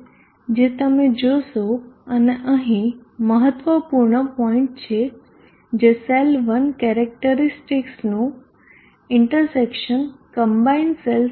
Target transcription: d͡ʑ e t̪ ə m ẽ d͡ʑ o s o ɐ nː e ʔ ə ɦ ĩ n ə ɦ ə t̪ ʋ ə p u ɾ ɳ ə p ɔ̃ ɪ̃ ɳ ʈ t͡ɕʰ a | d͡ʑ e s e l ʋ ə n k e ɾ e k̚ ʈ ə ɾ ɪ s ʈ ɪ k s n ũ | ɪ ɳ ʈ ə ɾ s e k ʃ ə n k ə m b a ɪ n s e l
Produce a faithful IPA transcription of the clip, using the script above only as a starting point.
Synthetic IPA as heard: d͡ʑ e t̪ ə m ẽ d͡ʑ o s o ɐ n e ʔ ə ɦ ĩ m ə ɦ ə t̪ ʋ ə p u ɾ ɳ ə p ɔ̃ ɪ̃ ɳ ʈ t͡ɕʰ e | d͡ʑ e s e l ʋ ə n k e ɾ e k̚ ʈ ə ɾ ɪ s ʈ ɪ k s n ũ | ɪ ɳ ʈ ə ɾ s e k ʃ ə n k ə m b a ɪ n s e l